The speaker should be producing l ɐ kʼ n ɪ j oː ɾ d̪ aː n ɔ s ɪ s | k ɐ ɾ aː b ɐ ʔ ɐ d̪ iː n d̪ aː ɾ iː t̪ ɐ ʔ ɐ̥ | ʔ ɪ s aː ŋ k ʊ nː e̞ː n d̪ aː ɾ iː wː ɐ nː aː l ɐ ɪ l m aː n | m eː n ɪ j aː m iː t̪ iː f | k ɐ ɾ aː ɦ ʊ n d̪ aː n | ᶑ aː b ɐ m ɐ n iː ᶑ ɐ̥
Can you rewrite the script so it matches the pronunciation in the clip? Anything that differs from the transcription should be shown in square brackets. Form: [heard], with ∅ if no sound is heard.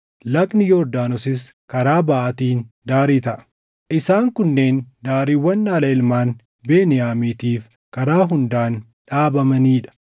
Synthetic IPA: l ɐ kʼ n ɪ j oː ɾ d̪ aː n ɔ s ɪ s | k ɐ ɾ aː b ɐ ʔ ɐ [t̪] iː n d̪ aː ɾ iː t̪ ɐ ʔ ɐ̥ | ʔ ɪ s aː ŋ k ʊ nː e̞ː n d̪ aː ɾ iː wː ɐ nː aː l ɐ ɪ l m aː n | [b] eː n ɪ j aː m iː t̪ iː f | k ɐ ɾ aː ɦ ʊ n d̪ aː n | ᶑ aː b ɐ m ɐ n iː ᶑ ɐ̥